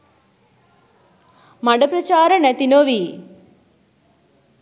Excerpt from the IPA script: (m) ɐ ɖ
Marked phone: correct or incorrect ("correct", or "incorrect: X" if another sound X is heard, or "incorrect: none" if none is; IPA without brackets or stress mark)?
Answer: correct